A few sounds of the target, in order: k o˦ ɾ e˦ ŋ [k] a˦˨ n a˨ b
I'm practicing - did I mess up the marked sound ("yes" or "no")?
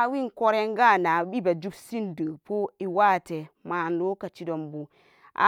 yes